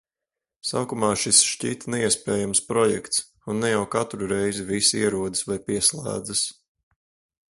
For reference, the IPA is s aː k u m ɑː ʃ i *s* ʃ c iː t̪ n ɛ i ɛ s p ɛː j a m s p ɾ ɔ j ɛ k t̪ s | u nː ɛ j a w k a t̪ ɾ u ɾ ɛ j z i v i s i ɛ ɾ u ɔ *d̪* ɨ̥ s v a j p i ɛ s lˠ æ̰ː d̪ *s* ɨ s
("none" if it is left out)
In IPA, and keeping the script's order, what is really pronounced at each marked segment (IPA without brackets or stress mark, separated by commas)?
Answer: s, d̪, z